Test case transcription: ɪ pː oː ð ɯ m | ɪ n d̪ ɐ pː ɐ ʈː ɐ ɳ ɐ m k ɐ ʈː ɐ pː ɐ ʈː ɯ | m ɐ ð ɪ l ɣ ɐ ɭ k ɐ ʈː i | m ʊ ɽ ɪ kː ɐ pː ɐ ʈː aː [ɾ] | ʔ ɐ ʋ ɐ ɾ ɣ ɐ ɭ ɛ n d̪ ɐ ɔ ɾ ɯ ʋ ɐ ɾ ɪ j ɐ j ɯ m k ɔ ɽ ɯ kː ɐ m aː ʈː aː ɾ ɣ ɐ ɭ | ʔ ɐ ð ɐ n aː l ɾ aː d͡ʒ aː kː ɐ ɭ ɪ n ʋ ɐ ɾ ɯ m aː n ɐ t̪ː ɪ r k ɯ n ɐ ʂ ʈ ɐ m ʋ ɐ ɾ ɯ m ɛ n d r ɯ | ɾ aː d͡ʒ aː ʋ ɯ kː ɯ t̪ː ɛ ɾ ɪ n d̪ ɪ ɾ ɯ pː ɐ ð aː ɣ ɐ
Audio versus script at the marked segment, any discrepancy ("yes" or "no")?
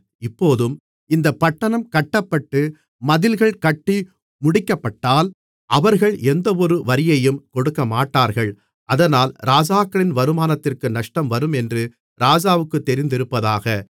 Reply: yes